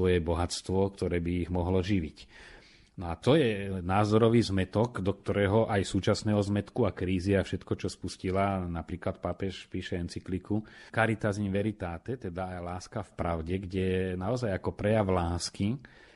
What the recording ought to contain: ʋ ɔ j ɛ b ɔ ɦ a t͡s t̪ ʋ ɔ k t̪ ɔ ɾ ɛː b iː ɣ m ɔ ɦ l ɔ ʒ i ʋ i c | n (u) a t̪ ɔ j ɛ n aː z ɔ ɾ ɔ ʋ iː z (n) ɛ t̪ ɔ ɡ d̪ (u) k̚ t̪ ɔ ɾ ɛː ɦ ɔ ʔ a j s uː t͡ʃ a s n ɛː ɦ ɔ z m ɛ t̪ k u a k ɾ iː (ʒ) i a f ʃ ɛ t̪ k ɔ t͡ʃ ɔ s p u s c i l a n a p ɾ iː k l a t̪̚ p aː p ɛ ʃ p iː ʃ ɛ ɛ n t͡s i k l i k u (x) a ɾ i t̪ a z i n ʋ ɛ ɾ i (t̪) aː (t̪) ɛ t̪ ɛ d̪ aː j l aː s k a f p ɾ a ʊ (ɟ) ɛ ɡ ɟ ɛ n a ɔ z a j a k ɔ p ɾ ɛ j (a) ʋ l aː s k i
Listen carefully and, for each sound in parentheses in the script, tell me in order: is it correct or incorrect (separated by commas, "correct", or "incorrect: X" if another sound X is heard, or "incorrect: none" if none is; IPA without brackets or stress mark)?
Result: incorrect: ɔ, incorrect: m, incorrect: ɔ, incorrect: z, incorrect: k, correct, correct, correct, correct